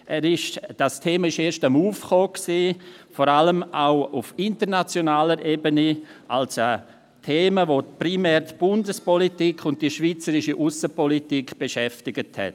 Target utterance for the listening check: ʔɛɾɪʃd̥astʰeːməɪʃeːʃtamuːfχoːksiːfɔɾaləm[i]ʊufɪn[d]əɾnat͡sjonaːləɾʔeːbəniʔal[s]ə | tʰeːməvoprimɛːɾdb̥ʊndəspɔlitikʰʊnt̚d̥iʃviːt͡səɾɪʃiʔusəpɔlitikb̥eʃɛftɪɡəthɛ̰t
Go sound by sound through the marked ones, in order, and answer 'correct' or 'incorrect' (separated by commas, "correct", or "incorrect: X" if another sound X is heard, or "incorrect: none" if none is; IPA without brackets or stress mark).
incorrect: a, incorrect: t, correct